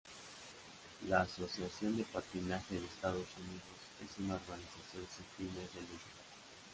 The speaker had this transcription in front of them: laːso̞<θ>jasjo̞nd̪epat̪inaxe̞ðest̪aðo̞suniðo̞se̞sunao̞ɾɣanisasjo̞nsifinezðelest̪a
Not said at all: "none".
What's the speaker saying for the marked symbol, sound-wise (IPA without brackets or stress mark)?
s